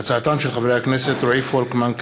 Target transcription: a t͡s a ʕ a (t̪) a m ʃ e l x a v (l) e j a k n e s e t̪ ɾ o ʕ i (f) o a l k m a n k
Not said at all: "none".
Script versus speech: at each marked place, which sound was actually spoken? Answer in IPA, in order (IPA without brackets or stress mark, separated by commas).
t̪, ɾ, f